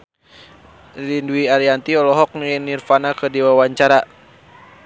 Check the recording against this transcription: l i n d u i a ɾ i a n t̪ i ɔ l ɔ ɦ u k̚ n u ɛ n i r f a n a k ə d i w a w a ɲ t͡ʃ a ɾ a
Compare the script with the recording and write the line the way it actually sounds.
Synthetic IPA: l i n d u i a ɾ i a n t̪ i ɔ l ɔ ɦ ɔ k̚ n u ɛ n i r f a n a k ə d i w a w a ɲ t͡ʃ a ɾ a